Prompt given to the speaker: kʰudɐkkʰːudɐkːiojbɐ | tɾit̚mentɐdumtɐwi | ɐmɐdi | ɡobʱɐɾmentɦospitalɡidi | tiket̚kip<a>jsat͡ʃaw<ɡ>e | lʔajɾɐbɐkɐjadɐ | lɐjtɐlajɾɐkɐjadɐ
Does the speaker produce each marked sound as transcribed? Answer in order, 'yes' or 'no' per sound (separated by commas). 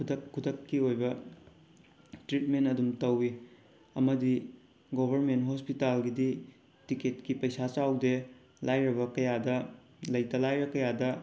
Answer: no, no